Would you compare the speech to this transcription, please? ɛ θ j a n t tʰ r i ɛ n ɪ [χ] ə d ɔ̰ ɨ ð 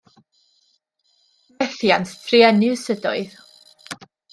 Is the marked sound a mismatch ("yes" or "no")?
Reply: yes